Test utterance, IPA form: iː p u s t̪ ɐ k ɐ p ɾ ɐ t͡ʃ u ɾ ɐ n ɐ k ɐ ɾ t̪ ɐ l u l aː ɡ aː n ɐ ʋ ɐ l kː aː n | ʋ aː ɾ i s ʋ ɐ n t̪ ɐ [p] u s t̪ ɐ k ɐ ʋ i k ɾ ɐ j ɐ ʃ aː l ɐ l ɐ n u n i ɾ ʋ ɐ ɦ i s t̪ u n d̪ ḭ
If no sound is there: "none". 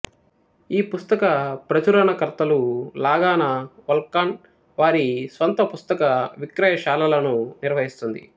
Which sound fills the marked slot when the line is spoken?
p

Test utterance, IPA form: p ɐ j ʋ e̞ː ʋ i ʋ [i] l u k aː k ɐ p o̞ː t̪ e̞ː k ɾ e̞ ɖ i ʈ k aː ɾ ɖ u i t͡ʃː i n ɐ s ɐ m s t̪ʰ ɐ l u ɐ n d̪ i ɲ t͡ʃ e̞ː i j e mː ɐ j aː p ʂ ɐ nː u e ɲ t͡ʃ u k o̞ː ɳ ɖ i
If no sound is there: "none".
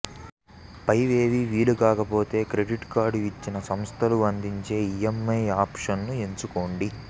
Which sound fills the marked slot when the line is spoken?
iː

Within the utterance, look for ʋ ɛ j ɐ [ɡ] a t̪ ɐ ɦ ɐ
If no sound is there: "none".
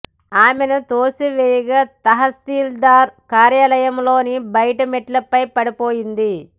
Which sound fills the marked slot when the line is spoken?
ɡ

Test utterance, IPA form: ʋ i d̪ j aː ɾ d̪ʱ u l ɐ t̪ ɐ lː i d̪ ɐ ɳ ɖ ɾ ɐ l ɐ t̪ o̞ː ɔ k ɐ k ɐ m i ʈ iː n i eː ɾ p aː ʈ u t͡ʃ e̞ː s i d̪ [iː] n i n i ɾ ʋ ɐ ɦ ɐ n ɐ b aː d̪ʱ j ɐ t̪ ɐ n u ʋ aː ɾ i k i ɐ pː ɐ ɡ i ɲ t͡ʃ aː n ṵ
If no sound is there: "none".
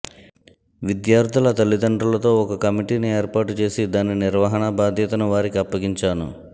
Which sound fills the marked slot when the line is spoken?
aː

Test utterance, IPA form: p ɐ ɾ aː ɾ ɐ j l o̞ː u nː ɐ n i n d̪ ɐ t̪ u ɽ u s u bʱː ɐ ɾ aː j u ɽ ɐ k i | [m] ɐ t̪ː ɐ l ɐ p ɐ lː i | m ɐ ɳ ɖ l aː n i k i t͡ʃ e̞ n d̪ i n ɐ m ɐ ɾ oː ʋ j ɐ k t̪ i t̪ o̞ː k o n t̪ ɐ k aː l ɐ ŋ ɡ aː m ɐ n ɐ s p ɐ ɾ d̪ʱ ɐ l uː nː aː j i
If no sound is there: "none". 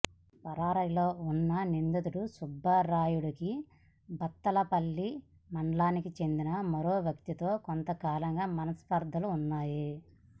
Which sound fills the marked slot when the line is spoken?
b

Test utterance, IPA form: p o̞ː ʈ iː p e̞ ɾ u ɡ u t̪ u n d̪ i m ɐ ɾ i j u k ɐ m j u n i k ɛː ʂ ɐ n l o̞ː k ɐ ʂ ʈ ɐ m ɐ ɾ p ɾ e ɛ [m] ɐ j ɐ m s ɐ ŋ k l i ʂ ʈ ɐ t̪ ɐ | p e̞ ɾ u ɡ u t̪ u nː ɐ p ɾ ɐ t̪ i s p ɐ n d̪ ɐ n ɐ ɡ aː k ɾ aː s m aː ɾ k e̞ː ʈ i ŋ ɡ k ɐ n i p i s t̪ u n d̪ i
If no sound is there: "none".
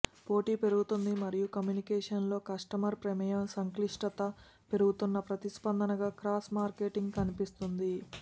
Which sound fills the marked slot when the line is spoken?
m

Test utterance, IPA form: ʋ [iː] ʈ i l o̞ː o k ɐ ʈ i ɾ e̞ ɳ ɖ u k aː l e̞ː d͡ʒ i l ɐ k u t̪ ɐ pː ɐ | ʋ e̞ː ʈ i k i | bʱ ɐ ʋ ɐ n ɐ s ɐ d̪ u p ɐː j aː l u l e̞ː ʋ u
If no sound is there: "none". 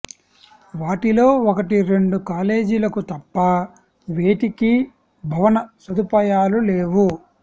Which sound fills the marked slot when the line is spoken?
aː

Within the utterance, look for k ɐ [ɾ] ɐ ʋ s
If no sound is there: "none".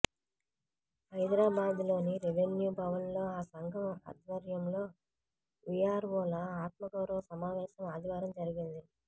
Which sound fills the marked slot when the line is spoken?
ɾ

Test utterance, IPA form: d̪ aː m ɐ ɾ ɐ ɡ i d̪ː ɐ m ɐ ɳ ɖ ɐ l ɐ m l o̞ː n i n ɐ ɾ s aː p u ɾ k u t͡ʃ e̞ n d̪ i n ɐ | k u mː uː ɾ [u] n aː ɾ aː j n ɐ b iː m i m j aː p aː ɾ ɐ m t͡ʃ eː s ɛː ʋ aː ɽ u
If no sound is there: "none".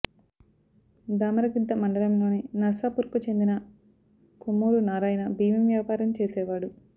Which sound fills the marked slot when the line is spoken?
u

